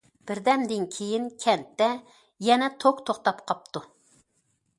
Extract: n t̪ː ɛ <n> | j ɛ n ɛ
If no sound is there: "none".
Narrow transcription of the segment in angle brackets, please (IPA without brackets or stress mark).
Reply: none